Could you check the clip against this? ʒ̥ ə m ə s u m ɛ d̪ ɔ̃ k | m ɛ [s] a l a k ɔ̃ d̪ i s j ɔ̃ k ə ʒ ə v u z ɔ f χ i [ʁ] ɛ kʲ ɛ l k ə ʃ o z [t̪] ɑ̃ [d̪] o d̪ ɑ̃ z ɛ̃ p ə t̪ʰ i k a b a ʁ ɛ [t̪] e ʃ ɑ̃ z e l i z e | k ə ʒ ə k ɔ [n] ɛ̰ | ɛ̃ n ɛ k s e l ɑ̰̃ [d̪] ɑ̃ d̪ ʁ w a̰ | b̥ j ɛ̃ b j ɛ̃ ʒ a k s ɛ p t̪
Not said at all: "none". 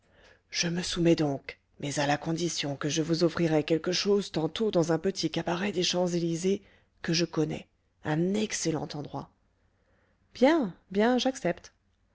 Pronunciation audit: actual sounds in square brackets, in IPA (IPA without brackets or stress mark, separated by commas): z, ʁ, t̪, t̪, d̪, n, t̪